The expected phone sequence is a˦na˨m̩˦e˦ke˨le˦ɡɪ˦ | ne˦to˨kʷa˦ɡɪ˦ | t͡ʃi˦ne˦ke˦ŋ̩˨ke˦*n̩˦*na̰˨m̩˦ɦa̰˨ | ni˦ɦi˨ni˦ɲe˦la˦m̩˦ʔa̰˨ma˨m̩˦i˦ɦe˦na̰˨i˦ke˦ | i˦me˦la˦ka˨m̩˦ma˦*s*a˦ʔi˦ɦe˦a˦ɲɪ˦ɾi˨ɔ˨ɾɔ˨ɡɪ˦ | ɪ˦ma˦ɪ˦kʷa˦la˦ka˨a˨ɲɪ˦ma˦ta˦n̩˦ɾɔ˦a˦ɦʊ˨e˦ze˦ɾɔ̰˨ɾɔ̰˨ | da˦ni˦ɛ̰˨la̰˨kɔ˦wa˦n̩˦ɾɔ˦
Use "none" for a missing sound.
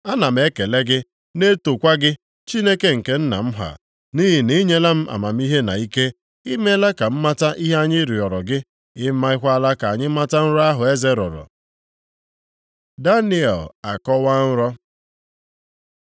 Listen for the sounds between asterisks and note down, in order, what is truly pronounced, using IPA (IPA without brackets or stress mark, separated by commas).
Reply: n̩˦, t